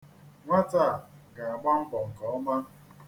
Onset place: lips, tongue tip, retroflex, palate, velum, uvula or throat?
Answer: velum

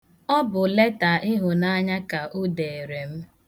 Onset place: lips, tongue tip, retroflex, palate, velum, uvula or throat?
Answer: lips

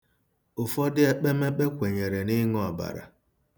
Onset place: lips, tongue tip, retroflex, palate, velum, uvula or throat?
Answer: lips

